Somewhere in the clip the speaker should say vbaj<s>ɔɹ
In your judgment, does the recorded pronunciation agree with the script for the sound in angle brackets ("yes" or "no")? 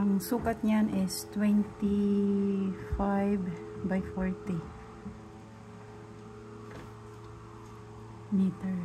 no